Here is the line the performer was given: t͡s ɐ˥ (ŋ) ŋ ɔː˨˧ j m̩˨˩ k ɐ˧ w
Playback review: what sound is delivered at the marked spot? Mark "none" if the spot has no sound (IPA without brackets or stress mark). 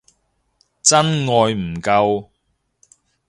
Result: n